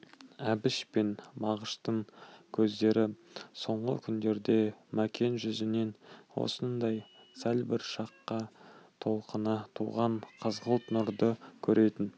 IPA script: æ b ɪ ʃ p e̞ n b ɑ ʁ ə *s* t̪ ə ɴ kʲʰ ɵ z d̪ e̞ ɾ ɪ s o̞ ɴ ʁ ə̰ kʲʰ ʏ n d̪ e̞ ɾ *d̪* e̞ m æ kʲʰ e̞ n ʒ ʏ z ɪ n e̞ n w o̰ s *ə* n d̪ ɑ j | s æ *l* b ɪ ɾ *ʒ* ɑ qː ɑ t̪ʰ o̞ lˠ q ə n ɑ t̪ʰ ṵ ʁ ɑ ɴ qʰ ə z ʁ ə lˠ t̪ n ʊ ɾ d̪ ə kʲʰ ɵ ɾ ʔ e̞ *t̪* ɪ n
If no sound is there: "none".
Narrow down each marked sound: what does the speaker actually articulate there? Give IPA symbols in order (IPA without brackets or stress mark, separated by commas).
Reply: ʃ, d̪, ə, l, ʃ, t̪